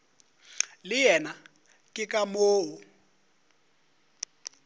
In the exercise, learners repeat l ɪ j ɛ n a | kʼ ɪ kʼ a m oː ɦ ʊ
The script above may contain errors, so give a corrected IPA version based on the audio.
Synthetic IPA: l ɪ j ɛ n a | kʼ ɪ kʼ a m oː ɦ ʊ